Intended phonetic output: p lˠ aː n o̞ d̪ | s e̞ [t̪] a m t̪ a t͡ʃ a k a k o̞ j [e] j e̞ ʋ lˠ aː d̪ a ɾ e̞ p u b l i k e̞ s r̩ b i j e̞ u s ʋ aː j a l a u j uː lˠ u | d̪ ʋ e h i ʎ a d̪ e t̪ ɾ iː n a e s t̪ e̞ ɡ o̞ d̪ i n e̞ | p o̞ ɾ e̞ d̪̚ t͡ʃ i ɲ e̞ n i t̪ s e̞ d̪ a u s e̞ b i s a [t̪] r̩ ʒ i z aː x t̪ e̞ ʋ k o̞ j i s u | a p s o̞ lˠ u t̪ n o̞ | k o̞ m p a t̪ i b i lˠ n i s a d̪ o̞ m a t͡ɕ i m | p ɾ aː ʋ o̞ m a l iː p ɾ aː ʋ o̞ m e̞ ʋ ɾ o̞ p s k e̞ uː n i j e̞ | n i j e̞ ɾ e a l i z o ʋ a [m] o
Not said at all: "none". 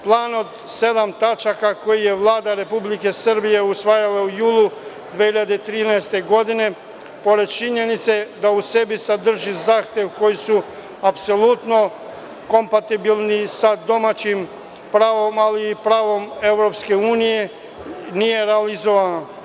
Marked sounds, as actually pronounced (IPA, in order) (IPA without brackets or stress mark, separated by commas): d̪, i, d̪, n